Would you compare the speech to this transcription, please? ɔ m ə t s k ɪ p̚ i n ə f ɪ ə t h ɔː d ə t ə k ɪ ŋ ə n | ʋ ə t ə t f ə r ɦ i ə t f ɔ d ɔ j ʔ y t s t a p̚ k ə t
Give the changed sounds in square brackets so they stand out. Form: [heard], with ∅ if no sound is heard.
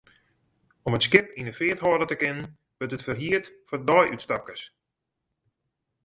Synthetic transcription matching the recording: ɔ m ə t s k ɪ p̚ i n ə f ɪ ə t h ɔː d ə t ə k ɪ [n] ə n | ʋ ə t ə t f ə r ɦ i ə t f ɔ d ɔ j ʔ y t s t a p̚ k ə [s]